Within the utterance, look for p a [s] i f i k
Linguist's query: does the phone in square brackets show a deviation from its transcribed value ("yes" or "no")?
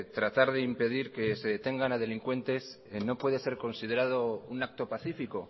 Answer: yes